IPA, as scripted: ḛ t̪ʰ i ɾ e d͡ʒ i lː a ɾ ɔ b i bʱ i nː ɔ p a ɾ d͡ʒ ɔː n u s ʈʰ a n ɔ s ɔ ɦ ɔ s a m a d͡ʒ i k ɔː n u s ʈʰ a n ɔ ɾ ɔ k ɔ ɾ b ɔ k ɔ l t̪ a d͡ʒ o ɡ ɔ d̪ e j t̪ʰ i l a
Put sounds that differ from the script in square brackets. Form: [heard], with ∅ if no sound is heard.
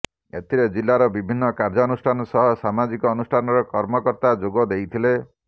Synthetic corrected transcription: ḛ t̪ʰ i ɾ e d͡ʒ i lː a ɾ ɔ b i bʱ i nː ɔ [k] a ɾ d͡ʒ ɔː n u s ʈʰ a n ɔ s ɔ ɦ ɔ s a m a d͡ʒ i k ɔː n u s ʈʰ a n ɔ ɾ ɔ k ɔ ɾ [m] ɔ k ɔ [ɾ] t̪ a d͡ʒ o ɡ ɔ d̪ e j t̪ʰ i l [e]